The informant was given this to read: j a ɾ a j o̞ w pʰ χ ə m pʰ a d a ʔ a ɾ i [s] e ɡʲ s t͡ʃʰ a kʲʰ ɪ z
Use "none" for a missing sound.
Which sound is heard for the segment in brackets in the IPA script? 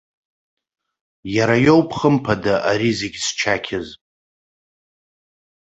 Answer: z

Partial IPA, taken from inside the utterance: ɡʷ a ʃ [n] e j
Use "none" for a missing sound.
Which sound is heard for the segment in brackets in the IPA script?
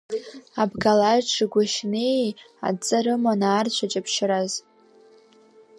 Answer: n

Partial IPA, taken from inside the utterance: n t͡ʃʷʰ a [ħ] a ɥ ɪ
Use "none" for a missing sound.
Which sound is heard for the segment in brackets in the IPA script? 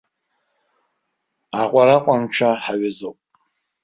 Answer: ħ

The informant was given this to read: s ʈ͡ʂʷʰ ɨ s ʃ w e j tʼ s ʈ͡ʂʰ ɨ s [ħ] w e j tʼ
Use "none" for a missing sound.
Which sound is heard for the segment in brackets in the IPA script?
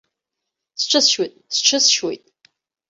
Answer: ʃ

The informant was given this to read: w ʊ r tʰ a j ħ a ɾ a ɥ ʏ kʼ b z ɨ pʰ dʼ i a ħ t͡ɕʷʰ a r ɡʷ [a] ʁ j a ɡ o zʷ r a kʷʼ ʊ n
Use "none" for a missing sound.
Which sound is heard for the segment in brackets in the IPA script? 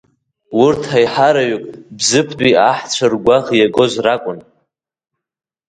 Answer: a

